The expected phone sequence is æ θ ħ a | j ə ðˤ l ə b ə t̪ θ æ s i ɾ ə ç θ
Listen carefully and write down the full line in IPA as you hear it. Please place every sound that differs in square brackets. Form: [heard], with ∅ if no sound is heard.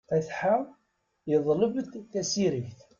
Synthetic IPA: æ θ ħ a | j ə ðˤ l ə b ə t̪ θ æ s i ɾ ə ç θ

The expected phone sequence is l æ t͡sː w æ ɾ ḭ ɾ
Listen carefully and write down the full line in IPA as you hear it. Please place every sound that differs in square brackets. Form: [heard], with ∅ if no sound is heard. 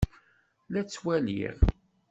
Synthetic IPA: l æ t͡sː w æ [l] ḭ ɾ

